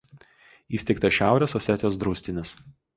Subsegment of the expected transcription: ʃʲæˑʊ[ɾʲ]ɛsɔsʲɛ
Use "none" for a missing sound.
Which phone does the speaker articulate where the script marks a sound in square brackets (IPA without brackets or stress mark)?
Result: ɾʲ